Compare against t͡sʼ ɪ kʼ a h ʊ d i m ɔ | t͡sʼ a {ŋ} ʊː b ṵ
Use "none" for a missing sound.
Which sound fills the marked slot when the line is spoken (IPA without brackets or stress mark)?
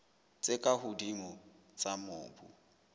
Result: m